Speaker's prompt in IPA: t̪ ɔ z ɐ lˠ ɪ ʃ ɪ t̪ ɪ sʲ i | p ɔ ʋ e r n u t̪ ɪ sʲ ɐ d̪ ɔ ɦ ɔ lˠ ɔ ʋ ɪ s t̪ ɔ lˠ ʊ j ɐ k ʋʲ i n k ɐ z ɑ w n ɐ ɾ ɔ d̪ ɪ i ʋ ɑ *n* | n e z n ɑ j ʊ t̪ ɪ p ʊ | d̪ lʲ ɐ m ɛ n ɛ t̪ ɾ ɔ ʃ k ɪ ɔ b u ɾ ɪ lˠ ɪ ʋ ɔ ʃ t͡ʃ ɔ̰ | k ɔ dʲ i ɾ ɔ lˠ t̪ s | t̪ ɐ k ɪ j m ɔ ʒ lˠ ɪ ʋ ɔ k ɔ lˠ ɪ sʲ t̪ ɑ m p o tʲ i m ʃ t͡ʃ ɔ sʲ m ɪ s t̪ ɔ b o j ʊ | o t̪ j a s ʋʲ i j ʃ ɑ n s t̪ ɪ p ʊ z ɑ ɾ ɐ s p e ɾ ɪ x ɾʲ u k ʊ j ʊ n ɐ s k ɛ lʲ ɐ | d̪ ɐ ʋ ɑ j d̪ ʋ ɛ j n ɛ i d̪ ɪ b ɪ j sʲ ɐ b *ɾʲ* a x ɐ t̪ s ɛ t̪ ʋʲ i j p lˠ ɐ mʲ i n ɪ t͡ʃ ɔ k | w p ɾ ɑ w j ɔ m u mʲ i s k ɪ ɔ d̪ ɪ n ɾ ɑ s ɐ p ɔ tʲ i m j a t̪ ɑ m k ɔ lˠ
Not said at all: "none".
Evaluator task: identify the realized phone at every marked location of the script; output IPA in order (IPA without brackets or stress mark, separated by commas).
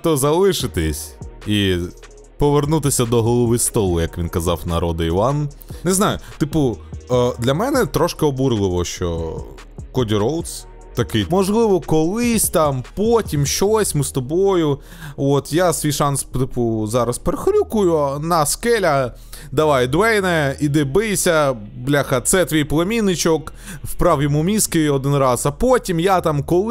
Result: n, lʲ